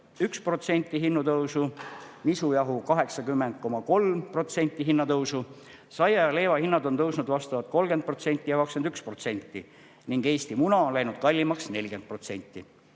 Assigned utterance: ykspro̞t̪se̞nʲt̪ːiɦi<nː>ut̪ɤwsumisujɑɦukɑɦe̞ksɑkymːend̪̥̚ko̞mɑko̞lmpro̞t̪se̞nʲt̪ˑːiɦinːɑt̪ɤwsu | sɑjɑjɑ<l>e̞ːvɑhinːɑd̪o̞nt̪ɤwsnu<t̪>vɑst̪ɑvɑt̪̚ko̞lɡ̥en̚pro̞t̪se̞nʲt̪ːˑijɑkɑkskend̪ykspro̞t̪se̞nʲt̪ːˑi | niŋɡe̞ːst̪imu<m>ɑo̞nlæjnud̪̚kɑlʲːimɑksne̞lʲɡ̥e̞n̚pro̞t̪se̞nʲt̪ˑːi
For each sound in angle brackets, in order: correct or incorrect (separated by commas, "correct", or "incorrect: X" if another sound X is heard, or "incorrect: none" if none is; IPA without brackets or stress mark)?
correct, correct, incorrect: d̪, incorrect: n